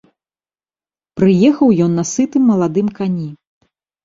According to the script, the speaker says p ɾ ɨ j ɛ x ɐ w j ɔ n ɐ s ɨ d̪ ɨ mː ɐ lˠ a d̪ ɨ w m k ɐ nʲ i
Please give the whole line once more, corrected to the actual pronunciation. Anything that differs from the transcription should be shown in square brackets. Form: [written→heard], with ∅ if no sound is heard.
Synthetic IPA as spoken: p ɾ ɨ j ɛ x ɐ w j ɔ [n→nː] ɐ s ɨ [d̪→t̪] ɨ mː ɐ lˠ a d̪ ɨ [w→∅] m k [ɐ→a] nʲ i

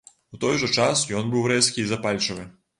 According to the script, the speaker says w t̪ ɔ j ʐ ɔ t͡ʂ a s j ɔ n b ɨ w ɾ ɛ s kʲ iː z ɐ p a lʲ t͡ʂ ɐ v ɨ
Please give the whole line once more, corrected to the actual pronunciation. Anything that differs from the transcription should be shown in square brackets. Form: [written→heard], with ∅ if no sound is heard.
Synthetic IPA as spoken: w t̪ ɔ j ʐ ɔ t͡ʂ a s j ɔ n b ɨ w ɾ ɛ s kʲ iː z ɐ p a lʲ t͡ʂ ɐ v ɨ

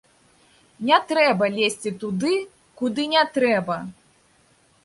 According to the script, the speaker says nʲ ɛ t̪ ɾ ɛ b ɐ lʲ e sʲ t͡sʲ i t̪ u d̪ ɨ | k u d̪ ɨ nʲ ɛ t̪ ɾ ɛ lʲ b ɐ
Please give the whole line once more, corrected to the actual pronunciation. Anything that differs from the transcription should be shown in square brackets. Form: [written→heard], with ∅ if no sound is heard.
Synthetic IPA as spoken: nʲ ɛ t̪ ɾ ɛ b ɐ lʲ e sʲ t͡sʲ i t̪ u d̪ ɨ | k u d̪ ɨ nʲ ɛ t̪ ɾ ɛ [lʲ→∅] b ɐ

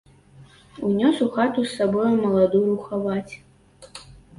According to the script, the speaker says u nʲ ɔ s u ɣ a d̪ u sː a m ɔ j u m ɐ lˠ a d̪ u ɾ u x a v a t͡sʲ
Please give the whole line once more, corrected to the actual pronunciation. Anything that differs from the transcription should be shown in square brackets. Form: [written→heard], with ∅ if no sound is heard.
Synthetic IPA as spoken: u nʲ ɔ s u [ɣ→x] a [d̪→t̪] u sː a [m→b] ɔ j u m ɐ lˠ a d̪ u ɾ u x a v a t͡sʲ

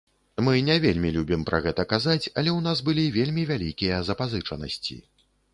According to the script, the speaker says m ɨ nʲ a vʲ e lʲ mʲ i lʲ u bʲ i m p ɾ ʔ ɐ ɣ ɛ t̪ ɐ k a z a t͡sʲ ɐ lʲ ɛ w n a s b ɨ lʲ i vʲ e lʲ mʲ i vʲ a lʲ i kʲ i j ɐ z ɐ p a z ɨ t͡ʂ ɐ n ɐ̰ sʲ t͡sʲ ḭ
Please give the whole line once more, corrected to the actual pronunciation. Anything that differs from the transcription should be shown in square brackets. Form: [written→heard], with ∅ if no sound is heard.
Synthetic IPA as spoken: m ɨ nʲ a vʲ e lʲ mʲ i lʲ u bʲ i m p ɾ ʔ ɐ ɣ ɛ t̪ ɐ k a z a t͡sʲ ɐ lʲ ɛ w n a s b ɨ lʲ i vʲ e lʲ mʲ i vʲ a lʲ i kʲ i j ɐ z ɐ p a z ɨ t͡ʂ ɐ n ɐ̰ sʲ t͡sʲ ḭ

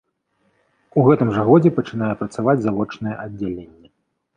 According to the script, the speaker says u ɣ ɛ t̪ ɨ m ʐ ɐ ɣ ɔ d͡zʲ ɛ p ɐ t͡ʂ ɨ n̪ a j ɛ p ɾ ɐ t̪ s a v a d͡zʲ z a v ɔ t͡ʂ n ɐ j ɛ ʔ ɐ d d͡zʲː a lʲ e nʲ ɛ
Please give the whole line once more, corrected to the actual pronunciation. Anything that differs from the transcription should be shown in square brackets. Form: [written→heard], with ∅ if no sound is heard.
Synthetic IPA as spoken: u ɣ ɛ t̪ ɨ m ʐ ɐ ɣ ɔ d͡zʲ ɛ p ɐ t͡ʂ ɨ n̪ a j ɛ p ɾ ɐ t̪ s a v a d͡zʲ z a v ɔ t͡ʂ n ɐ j ɛ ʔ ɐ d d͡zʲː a lʲ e [nʲ→nʲː] ɛ

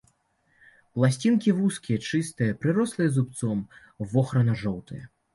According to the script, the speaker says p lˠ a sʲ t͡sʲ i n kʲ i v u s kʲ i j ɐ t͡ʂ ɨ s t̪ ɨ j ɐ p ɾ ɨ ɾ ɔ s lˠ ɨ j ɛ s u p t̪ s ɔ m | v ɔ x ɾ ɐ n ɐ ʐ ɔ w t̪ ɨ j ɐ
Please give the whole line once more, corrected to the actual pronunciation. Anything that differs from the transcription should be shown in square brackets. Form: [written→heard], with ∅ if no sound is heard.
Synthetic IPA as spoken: p lˠ a sʲ t͡sʲ i n kʲ i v u s kʲ i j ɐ t͡ʂ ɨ s t̪ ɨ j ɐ p ɾ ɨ ɾ ɔ s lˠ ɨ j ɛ [s→z] u p t̪ s ɔ m | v ɔ x ɾ ɐ n ɐ ʐ ɔ w t̪ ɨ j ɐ

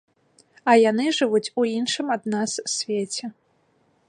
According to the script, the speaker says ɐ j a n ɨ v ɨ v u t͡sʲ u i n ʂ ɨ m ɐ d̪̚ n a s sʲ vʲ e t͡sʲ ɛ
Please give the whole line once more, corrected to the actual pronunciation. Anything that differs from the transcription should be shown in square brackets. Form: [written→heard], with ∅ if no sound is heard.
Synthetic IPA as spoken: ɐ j a n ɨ [v→ʐ] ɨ v u t͡sʲ u i n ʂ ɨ m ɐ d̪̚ n a s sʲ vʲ e t͡sʲ ɛ

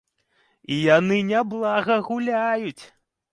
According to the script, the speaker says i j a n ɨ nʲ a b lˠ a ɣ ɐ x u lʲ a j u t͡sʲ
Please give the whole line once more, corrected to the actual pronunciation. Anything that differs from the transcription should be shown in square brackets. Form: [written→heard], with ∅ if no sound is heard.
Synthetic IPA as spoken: i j a n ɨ nʲ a b lˠ a ɣ ɐ [x→ɣ] u lʲ a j u t͡sʲ

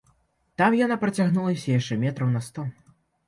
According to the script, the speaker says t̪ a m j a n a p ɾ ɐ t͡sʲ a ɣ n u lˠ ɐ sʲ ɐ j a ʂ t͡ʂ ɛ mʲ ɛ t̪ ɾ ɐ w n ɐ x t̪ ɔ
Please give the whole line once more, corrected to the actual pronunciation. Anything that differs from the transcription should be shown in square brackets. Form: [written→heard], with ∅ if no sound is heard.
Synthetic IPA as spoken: t̪ a m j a n a p ɾ ɐ t͡sʲ a ɣ n u lˠ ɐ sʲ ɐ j a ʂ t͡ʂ ɛ mʲ ɛ t̪ ɾ ɐ w n ɐ [x→s] t̪ ɔ

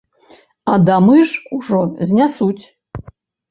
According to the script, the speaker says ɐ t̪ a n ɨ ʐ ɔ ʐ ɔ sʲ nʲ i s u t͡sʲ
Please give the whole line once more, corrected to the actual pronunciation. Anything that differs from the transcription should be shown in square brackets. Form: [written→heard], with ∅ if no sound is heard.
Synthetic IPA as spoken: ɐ [t̪→d̪] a [n→m] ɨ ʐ [ɔ→u] ʐ ɔ [sʲ→zʲ] nʲ [i→a] s u t͡sʲ

